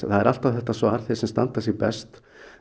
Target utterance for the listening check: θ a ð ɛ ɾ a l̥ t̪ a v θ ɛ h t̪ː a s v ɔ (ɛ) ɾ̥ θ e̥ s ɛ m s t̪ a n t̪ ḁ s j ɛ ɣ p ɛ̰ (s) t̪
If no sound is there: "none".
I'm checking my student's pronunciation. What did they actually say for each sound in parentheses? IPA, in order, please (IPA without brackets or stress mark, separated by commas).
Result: a, s